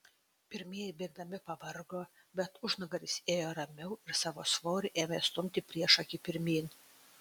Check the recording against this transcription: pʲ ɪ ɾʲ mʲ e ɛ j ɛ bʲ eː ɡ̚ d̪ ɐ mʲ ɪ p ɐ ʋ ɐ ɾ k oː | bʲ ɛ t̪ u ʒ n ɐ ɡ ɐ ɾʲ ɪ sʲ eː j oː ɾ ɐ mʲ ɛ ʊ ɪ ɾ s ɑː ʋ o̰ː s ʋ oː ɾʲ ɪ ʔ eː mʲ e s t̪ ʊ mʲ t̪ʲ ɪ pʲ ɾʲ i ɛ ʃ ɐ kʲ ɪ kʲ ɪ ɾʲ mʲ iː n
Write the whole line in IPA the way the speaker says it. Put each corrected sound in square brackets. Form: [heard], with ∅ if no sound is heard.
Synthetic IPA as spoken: pʲ ɪ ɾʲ mʲ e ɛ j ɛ bʲ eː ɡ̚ d̪ ɐ mʲ ɪ p ɐ ʋ ɐ ɾ [ɡ] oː | bʲ ɛ t̪ [ʊ] ʒ n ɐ ɡ ɐ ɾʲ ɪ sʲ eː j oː ɾ ɐ mʲ ɛ ʊ ɪ ɾ s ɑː ʋ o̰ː s ʋ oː ɾʲ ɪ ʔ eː mʲ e s t̪ ʊ mʲ t̪ʲ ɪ pʲ ɾʲ i ɛ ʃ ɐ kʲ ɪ [pʲ] ɪ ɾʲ mʲ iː n